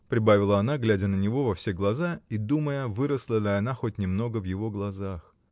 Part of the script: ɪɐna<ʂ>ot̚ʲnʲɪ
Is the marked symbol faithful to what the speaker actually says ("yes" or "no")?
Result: no